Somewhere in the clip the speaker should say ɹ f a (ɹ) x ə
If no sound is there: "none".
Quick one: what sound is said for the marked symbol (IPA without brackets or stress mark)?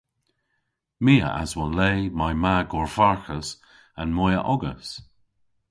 ɹ